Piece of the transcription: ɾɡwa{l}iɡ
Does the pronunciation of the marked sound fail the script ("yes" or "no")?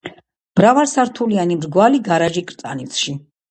no